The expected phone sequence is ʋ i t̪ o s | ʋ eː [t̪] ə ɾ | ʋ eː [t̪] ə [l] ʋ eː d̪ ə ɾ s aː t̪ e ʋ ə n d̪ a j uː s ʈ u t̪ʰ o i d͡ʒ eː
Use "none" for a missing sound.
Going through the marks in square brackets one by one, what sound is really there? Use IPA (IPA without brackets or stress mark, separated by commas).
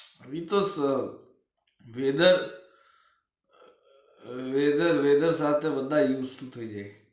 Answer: d̪, d̪, ɾ